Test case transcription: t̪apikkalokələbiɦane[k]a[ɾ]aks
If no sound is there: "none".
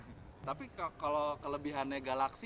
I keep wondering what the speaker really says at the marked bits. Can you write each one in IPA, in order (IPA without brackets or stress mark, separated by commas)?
ɡ, l